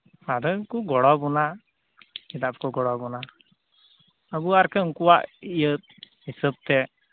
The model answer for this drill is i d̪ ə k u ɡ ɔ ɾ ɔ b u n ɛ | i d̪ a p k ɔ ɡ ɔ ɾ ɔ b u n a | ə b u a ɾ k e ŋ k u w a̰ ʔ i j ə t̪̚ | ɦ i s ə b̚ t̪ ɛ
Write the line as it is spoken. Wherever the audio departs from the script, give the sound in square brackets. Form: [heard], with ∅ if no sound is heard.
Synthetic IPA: [a] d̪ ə k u ɡ ɔ [ɽ] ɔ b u n [a] | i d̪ a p k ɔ ɡ ɔ [ɽ] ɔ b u n a | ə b u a ɾ k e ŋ k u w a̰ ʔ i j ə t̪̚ | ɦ i s ə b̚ t̪ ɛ